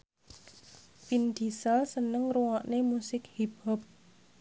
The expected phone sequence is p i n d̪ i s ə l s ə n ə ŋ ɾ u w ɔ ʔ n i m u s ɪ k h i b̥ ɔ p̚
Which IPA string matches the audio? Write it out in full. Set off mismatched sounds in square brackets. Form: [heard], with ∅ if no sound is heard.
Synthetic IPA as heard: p i n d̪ i s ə l s ə n ə ŋ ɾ u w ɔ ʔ n [e] m u s ɪ k h i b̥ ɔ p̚